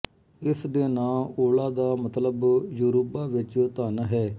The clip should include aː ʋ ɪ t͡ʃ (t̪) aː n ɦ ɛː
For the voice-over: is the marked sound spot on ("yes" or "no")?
yes